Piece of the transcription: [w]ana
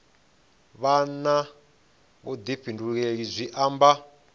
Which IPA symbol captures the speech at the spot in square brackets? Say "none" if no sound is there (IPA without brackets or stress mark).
β